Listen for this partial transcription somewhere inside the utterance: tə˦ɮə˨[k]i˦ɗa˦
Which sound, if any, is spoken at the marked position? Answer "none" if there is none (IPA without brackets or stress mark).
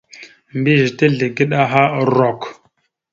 ɡ